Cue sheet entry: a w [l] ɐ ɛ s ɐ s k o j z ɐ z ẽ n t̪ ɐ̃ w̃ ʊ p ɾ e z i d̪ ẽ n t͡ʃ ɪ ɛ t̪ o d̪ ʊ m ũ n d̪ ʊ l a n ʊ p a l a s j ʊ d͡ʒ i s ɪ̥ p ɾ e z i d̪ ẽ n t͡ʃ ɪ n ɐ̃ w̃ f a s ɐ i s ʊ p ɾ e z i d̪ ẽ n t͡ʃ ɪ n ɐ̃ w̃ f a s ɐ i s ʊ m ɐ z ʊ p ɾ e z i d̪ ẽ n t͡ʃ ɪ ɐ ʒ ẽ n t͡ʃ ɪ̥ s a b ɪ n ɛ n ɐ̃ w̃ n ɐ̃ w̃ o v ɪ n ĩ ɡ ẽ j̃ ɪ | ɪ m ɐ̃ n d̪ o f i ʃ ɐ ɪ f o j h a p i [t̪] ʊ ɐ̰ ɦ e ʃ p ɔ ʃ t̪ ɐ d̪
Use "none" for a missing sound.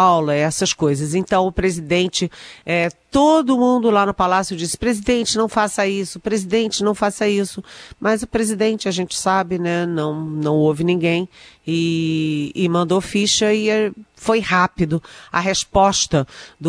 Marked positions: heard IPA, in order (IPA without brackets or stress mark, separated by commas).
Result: l, d̪